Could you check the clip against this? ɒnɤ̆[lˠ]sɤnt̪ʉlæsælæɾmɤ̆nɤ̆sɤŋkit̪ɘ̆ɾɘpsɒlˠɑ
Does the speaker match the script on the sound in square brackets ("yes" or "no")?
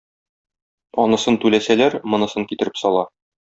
no